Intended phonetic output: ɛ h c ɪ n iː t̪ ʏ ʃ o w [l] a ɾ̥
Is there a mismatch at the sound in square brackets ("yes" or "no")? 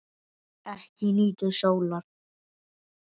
no